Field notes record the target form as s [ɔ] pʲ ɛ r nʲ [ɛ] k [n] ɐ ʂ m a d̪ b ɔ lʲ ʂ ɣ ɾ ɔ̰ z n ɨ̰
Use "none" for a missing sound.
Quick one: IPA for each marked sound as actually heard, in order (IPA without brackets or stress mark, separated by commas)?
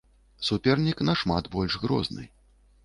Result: u, i, n